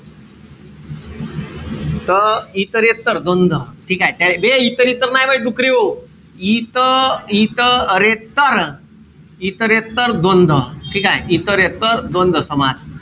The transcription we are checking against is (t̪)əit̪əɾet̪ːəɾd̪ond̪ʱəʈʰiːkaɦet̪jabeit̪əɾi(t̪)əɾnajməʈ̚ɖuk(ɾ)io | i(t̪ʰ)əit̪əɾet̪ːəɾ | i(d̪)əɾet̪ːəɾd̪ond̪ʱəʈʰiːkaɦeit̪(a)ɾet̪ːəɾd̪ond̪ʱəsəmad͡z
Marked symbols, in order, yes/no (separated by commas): yes, yes, yes, no, no, no